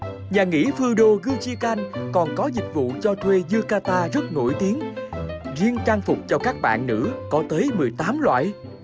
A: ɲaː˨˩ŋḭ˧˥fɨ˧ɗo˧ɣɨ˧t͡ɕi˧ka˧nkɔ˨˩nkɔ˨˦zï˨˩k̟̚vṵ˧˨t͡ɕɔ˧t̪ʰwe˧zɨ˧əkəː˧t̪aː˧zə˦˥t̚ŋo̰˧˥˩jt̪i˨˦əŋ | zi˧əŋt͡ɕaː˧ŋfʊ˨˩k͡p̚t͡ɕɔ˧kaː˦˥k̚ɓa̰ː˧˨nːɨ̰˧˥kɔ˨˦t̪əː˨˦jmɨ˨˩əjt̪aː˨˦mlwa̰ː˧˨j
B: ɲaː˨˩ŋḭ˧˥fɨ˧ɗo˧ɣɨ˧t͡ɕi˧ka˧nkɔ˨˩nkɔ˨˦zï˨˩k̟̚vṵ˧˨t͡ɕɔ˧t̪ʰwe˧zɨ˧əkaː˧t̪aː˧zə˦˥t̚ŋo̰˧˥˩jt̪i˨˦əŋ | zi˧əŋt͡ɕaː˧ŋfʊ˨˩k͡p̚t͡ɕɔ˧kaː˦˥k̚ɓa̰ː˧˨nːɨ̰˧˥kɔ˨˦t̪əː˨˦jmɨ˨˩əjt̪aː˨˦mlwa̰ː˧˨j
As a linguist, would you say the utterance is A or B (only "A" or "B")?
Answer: B